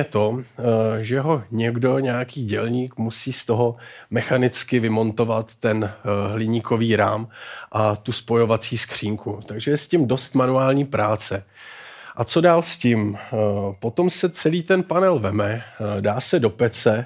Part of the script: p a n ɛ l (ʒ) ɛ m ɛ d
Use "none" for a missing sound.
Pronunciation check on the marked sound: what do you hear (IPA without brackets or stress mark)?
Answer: v